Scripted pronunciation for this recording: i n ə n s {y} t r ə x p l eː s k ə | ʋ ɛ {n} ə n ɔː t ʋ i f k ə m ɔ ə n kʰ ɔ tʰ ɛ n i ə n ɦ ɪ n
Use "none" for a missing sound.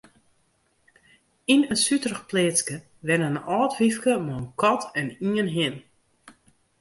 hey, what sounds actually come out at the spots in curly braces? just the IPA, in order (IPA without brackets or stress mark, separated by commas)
y, n